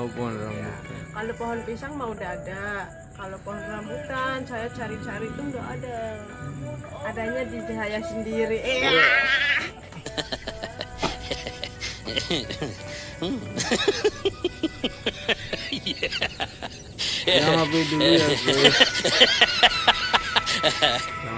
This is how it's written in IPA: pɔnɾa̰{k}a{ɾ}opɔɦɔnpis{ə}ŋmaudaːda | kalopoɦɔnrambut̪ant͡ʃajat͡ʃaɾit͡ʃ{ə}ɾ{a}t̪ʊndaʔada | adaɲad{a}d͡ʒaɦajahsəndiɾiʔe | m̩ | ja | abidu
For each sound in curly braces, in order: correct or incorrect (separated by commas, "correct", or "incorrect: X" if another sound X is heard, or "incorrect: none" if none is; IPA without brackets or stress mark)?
correct, incorrect: l, incorrect: a, incorrect: a, incorrect: i, incorrect: i